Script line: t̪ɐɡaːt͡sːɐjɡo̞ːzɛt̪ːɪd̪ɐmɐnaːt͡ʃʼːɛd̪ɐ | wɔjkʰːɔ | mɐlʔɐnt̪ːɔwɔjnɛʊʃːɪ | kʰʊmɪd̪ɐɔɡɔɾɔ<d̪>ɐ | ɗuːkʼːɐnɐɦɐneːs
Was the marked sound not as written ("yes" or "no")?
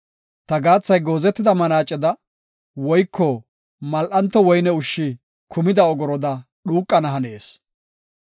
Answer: no